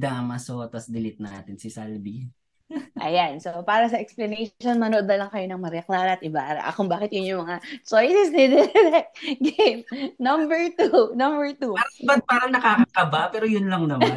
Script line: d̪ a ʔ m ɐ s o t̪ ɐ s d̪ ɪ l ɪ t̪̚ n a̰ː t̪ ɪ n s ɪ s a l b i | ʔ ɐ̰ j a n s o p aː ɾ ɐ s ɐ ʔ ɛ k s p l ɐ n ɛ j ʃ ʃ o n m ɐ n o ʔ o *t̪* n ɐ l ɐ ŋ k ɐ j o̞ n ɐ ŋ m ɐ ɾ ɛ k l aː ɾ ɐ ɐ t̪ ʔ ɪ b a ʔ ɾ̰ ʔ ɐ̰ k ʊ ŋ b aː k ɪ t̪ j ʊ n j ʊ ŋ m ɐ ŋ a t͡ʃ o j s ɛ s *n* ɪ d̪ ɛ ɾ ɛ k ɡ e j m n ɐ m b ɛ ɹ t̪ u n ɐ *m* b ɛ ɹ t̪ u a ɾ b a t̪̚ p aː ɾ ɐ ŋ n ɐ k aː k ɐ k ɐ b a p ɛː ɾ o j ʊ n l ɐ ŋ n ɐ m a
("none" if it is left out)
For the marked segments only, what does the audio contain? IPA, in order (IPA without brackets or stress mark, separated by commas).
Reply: d̪, n, m